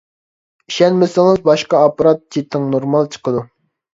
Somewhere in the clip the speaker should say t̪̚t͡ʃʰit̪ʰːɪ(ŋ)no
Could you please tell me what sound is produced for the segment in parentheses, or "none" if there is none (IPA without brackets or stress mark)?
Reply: ŋ